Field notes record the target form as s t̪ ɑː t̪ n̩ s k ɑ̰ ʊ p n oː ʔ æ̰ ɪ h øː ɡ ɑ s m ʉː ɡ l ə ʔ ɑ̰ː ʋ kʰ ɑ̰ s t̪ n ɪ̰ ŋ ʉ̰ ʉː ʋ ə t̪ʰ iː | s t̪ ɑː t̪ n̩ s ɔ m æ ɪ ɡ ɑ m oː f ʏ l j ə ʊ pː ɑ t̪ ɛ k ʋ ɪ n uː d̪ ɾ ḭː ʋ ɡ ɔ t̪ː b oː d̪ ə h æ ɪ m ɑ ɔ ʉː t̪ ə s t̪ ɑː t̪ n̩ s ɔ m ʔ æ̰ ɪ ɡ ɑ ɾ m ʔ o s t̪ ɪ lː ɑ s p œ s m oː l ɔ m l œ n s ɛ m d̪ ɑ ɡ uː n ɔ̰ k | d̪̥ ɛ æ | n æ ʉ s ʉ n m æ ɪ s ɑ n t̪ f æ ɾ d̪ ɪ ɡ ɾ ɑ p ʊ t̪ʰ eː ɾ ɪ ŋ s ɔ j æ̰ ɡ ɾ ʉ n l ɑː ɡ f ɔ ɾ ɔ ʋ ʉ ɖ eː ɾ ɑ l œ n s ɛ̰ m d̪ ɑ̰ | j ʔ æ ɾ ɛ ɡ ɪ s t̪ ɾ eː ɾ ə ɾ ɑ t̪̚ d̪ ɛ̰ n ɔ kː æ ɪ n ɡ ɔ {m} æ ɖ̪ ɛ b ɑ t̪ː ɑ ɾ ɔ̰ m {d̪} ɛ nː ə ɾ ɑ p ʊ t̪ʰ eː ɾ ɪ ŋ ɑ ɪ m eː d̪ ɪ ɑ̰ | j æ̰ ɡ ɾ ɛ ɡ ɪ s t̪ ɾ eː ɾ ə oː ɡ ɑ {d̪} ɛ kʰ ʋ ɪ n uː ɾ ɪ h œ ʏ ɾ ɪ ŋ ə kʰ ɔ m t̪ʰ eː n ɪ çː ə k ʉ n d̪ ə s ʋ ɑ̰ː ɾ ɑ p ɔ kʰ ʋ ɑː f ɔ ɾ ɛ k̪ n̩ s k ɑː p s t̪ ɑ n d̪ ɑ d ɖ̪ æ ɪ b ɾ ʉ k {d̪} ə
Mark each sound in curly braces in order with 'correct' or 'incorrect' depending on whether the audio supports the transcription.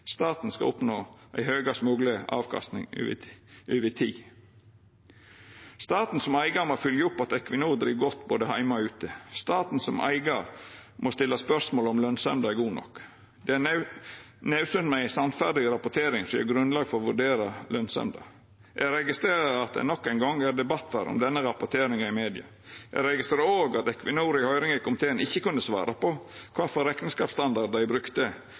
incorrect, correct, incorrect, incorrect

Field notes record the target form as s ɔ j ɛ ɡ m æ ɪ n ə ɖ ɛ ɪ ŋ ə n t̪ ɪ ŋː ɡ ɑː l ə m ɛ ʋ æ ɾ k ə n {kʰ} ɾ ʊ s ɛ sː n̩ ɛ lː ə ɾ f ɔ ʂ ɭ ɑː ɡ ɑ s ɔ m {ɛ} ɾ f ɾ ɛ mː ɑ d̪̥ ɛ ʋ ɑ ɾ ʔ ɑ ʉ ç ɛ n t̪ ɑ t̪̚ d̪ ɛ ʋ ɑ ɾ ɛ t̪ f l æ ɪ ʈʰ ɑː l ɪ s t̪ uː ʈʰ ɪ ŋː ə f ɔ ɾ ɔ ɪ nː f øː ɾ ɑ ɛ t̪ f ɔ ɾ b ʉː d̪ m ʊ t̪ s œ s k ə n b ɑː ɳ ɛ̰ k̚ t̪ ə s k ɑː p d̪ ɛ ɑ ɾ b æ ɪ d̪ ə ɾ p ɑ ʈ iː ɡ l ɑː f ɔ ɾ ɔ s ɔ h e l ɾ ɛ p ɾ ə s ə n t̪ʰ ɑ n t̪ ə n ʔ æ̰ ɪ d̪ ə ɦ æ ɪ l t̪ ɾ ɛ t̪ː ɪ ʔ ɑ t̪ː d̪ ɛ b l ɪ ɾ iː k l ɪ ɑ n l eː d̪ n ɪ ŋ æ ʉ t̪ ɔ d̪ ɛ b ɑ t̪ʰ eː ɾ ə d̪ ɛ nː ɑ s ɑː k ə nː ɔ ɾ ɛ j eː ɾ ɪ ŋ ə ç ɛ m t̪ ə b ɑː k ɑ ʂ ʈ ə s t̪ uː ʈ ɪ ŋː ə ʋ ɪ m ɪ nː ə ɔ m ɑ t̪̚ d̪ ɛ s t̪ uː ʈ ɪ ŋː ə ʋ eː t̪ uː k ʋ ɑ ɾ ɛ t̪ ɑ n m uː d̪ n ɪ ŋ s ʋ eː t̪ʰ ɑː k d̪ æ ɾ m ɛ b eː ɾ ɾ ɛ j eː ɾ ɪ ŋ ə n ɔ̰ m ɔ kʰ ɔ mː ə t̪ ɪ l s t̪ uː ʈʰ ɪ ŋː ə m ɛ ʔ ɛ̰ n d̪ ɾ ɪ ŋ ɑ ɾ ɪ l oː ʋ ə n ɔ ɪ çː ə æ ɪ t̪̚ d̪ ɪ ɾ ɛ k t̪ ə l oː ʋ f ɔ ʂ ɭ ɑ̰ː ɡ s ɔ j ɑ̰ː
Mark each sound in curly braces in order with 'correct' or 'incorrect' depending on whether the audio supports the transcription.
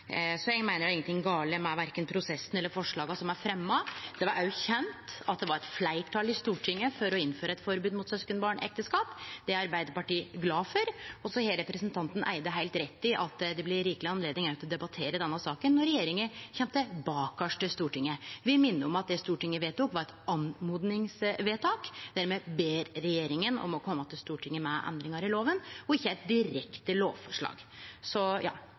incorrect, incorrect

